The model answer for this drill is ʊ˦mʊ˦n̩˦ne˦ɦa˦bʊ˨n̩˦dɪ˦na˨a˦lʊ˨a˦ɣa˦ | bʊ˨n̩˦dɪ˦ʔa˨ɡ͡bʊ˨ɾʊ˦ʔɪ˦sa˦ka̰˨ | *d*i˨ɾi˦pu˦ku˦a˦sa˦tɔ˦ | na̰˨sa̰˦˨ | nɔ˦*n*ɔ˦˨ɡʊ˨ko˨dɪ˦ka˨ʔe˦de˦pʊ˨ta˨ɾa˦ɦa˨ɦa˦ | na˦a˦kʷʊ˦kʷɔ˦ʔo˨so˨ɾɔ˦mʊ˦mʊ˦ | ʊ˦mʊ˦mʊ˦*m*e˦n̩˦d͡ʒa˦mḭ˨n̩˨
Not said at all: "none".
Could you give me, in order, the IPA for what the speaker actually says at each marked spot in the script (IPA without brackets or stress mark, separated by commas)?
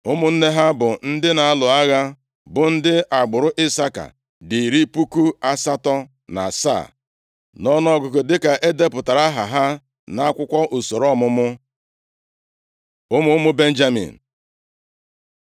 d, n, b